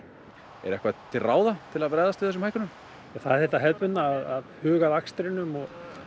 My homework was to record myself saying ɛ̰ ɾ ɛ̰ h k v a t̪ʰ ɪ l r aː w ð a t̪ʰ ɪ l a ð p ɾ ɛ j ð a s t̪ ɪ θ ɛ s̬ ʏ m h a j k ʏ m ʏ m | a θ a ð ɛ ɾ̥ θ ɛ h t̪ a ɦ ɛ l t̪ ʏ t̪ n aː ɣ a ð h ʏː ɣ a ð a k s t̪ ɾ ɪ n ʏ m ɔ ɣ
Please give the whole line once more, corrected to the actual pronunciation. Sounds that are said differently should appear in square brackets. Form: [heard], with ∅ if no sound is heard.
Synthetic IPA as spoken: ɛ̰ ɾ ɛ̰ h k v a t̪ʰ ɪ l r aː w ð a t̪ʰ ɪ l a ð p ɾ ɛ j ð a s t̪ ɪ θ ɛ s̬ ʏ m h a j k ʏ [n] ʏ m | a θ a ð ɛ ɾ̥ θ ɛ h t̪ a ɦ ɛ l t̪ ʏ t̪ n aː [ð] a ð h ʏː ɣ a ð a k s t̪ ɾ ɪ n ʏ m ɔ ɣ